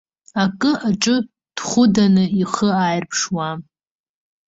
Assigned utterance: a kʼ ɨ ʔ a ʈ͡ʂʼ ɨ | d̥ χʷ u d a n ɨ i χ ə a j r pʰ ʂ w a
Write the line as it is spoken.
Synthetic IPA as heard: a kʼ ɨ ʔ a ʈ͡ʂʼ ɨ | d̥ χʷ ʊ d a n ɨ i χ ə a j r pʰ ʂ w a